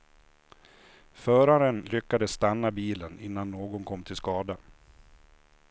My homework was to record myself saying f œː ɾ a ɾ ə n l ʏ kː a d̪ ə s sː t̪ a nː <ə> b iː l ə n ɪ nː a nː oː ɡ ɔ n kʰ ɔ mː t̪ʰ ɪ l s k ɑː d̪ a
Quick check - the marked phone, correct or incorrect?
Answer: incorrect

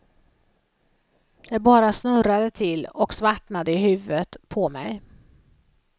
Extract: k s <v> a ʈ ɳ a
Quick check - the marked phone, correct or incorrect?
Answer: correct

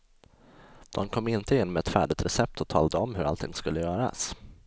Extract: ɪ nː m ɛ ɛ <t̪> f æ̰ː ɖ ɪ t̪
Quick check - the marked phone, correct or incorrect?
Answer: correct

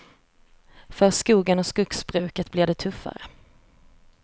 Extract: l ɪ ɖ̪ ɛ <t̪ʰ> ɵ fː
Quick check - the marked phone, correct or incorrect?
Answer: correct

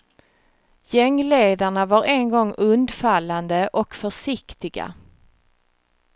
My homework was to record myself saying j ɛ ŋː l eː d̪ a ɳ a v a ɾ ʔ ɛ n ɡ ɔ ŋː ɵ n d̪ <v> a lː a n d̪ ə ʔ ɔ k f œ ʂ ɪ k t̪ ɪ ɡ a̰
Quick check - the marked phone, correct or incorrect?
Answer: incorrect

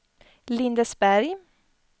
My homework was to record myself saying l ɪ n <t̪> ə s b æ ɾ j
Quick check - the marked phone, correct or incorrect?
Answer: incorrect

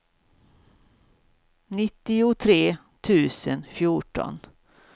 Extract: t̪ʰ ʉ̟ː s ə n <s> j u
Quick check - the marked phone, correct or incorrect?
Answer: incorrect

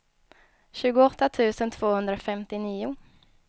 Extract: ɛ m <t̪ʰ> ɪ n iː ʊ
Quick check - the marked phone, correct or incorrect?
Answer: incorrect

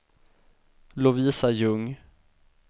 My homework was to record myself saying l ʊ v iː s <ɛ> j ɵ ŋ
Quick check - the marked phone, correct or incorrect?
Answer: incorrect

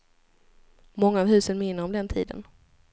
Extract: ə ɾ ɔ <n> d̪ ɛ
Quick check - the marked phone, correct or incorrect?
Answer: incorrect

